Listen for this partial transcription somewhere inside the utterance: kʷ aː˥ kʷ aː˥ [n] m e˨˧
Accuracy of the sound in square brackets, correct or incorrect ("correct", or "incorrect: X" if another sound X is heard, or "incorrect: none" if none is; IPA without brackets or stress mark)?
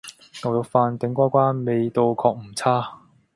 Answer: correct